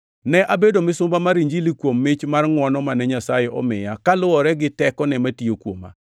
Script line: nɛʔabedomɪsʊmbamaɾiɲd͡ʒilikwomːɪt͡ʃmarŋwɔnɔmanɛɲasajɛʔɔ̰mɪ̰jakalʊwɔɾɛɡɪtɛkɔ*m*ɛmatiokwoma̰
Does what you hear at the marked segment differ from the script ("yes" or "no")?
yes